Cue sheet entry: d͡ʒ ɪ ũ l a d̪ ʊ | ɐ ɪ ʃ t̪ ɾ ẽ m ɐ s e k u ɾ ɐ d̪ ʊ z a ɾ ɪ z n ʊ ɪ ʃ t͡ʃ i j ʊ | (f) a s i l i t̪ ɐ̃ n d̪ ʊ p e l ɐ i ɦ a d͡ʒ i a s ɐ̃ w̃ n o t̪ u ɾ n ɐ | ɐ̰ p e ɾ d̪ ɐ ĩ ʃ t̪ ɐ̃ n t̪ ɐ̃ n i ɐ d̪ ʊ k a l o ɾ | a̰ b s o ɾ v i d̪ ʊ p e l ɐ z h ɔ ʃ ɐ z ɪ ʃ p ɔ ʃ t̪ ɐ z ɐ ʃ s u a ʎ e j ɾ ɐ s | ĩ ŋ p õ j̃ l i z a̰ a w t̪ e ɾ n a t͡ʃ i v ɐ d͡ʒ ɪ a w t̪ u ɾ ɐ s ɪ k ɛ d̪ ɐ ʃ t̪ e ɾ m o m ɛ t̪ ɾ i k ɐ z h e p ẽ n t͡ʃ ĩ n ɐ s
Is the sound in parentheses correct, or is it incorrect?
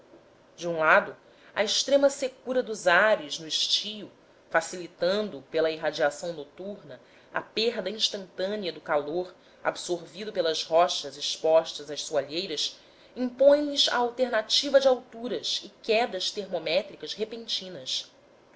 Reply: correct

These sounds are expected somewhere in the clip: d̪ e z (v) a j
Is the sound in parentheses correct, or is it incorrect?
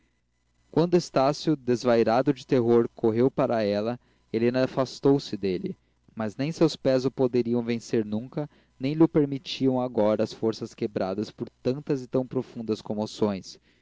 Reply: correct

